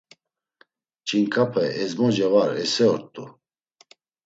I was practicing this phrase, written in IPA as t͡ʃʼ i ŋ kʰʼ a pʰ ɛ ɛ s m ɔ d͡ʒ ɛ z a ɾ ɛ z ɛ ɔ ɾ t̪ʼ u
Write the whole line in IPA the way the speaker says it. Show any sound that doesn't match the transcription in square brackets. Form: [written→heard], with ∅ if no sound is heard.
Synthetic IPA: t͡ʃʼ i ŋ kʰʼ a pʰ ɛ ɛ [s→z] m ɔ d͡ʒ ɛ [z→v] a ɾ ɛ [z→s] ɛ ɔ ɾ t̪ʼ u